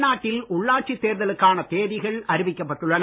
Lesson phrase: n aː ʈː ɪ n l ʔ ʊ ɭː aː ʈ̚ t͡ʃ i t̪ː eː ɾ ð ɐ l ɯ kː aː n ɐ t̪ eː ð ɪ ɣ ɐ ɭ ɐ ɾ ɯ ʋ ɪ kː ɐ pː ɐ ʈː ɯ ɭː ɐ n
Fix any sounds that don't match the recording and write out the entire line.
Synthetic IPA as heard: n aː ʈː ɪ l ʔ ʊ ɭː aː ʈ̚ t͡ʃ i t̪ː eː ɾ ð ɐ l ɯ kː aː n ɐ t̪ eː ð ɪ ɣ ɐ ɭ ɐ ɾ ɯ ʋ ɪ kː ɐ pː ɐ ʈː ɯ ɭː ɐ n